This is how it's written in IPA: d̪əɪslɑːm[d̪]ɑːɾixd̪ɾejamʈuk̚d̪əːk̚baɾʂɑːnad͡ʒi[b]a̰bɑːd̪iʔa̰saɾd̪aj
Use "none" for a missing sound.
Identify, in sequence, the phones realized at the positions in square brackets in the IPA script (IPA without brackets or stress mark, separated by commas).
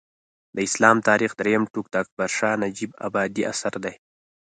t̪, b